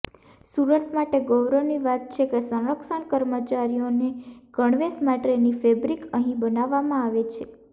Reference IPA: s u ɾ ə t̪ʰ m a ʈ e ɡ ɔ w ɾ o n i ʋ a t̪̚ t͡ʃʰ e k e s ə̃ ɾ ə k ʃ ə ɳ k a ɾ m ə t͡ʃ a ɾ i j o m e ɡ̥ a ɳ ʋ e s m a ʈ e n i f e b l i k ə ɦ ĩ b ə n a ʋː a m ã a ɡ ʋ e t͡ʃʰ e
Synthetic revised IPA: s u ɾ ə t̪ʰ m a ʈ e ɡ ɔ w ɾ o n i ʋ a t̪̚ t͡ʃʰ e k e s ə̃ ɾ ə k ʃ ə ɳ k ə ɾ m ə t͡ʃ a ɾ i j o n e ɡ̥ ə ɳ ʋ e s m a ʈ e n i f e b ɾ i k ə ɦ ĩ b ə n a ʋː a m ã a ʋ e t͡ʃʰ e